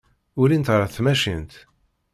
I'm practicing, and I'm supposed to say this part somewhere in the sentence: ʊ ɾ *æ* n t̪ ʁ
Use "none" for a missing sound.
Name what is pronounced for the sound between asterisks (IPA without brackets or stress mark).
i